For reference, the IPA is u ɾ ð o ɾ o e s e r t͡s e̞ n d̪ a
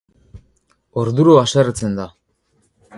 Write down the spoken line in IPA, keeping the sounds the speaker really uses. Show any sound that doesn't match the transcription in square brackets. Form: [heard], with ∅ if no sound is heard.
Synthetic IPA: [o] ɾ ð [u] ɾ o [a] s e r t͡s e̞ n d̪ a